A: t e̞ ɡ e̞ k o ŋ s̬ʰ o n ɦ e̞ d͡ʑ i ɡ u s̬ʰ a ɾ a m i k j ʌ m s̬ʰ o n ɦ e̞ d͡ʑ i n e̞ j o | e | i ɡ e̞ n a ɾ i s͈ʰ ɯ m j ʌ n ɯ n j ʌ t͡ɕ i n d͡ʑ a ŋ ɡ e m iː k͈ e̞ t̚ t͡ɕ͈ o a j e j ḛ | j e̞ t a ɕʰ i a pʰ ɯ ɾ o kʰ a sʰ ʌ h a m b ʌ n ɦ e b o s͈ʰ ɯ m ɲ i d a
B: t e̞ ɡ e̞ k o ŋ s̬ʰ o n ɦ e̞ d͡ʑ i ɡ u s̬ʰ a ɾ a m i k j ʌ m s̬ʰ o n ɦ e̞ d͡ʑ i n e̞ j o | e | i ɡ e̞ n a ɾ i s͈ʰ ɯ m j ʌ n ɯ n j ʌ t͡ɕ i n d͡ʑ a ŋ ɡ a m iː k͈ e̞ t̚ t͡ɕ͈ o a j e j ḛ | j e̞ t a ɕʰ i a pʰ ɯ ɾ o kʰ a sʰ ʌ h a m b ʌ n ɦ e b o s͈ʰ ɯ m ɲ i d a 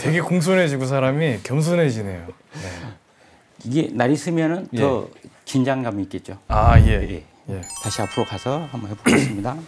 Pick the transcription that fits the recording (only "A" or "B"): B